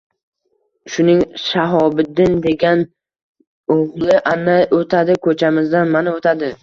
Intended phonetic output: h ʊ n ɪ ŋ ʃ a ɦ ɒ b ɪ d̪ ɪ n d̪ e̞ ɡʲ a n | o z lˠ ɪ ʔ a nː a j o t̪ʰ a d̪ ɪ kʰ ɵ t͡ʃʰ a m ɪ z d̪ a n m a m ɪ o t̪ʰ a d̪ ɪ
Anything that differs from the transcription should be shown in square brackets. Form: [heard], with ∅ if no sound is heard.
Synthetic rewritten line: [ʃ] ʊ n ɪ ŋ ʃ a ɦ ɒ b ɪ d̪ ɪ n d̪ e̞ ɡʲ a n | o [ʁ] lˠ ɪ ʔ a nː a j o t̪ʰ a d̪ ɪ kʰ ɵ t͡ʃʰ a m ɪ z d̪ a n m a [n] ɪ o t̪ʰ a d̪ ɪ